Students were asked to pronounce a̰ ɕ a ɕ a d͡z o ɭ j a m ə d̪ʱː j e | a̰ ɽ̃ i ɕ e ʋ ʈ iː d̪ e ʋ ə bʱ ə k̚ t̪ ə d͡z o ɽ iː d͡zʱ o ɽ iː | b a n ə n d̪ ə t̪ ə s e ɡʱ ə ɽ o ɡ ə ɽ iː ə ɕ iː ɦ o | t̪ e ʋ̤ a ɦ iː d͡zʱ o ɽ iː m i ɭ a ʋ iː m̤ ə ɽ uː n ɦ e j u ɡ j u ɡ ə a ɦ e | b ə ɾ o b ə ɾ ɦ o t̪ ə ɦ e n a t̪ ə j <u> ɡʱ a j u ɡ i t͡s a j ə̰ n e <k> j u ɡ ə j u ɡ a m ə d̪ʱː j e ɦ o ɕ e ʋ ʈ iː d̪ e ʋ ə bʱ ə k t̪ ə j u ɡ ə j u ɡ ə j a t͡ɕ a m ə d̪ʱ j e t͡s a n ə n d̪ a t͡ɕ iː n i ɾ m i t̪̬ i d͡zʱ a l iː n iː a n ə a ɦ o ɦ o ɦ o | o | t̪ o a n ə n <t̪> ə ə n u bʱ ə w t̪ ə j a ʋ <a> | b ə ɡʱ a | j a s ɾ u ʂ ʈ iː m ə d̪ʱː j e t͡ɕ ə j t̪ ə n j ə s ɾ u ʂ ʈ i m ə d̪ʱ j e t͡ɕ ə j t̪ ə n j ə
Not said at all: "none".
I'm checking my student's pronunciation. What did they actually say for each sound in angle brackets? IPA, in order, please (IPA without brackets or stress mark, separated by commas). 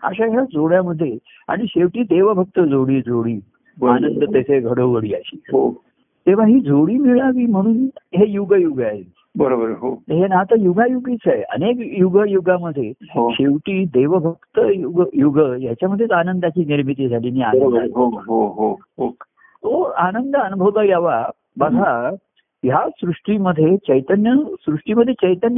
u, k, d̪, a